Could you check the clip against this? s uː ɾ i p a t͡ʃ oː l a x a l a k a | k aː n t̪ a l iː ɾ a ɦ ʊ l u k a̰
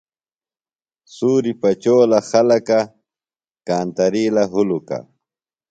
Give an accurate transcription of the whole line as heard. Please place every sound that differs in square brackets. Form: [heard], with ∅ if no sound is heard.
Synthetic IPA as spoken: s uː ɾ i p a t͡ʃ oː l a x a l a k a | k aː n t̪ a [ɾ] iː [l] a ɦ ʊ l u k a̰